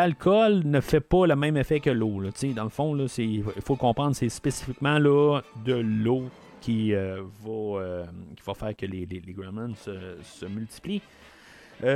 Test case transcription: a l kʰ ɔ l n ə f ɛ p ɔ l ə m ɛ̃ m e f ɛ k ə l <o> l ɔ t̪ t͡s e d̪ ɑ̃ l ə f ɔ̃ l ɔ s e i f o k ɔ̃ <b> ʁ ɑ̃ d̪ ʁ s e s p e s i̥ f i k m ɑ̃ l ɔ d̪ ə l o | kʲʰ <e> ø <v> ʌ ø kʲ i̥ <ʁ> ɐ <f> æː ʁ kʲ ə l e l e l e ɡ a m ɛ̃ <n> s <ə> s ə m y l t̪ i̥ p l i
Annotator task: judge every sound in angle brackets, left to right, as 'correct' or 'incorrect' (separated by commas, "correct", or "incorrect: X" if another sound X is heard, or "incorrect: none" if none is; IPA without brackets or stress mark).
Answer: correct, incorrect: p, incorrect: i, correct, incorrect: v, correct, correct, correct